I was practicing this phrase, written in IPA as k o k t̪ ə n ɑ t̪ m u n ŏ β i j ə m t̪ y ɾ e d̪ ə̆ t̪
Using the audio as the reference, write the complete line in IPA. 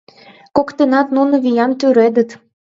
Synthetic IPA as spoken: k o k t̪ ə n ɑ t̪ n u n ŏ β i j ɑ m t̪ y ɾ e d̪ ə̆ t̪

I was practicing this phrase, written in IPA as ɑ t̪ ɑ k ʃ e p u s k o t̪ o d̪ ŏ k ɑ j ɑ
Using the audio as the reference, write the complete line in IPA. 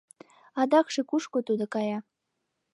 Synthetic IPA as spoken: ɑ d̪ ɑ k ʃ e k u ʃ k o t̪ u d̪ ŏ k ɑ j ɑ

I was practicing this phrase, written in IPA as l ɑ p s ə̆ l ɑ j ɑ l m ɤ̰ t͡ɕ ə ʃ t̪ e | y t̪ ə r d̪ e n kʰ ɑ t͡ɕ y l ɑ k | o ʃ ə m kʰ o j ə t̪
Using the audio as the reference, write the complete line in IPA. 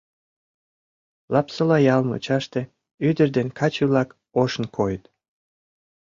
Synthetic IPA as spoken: l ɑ p s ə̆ l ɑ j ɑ l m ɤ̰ t͡ɕ ɑ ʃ t̪ e | y d̪ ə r d̪ e n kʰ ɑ t͡ɕ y l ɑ k | o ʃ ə n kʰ o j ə t̪

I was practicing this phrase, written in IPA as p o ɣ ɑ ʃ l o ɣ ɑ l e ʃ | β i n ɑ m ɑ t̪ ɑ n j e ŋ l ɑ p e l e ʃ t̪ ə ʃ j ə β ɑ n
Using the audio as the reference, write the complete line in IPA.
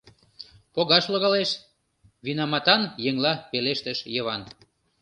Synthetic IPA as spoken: p o ɣ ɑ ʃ l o ɣ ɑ l e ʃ | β i n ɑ m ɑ t̪ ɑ n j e ŋ l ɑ p e l e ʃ t̪ ə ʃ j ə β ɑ n

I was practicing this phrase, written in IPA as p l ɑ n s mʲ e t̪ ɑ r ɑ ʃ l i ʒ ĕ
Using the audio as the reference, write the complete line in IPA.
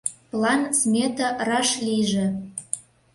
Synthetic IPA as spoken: p l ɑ n s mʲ e t̪ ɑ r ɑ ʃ l i ʒ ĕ

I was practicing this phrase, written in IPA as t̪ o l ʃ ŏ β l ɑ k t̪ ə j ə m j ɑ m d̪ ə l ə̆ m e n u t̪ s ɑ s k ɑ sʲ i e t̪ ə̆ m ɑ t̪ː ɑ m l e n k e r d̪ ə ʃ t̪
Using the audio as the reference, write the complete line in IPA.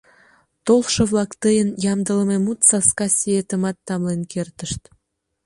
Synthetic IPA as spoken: t̪ o l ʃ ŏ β l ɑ k t̪ ə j ə n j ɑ m d̪ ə l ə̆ m e m u t̪ s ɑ s k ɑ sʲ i e t̪ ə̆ m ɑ t̪ː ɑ m l e n k e r t̪ ə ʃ t̪

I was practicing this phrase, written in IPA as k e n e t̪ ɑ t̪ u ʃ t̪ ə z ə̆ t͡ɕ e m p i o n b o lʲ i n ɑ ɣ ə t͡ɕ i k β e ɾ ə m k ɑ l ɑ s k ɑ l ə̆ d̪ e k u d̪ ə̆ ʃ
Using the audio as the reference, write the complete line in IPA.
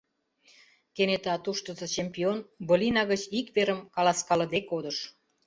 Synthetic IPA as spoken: k e n e t̪ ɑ t̪ u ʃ t̪ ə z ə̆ t͡ɕ e m p i o n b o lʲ i n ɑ ɣ ə t͡ɕ i k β e ɾ ə m k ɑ l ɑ s k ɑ l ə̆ d̪ e k o d̪ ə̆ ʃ

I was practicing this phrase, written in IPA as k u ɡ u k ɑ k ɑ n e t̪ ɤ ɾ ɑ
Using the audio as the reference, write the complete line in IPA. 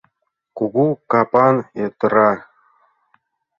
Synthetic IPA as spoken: k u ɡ u k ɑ p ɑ n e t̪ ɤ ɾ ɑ

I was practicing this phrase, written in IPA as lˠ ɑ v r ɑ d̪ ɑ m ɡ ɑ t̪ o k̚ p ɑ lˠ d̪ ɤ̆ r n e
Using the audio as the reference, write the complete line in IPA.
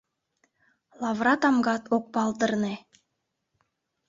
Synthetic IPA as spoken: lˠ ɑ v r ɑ t̪ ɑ m ɡ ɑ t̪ o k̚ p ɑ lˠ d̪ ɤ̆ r n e

